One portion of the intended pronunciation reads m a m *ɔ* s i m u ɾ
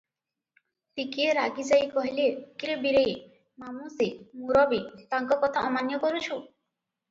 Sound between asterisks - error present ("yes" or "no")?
yes